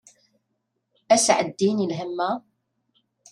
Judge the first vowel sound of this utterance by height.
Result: low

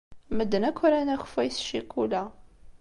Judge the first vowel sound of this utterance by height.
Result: mid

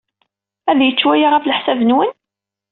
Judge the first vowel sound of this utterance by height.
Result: low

